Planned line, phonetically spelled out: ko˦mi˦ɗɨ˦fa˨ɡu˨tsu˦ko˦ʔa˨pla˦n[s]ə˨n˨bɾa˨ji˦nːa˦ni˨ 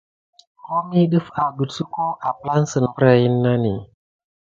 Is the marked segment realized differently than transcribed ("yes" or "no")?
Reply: no